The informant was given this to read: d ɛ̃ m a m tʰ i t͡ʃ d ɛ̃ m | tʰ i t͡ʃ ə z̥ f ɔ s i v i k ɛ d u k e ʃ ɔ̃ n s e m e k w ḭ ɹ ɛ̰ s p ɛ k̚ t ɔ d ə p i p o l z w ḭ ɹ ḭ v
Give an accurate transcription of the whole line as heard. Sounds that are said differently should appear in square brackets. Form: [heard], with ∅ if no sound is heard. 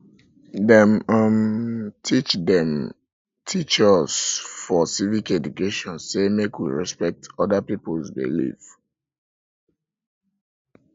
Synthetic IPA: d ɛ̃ m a m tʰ i t͡ʃ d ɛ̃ m | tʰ i t͡ʃ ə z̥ f ɔ s i v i k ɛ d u k e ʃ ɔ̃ n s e m e k w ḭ ɹ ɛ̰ s p ɛ k̚ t ɔ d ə p i p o l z [b] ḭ [l] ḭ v